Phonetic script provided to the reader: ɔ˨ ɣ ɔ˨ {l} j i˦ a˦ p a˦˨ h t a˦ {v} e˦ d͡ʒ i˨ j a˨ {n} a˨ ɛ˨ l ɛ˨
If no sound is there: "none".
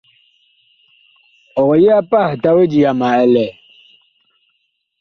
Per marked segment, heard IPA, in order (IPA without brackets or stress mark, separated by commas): none, w, m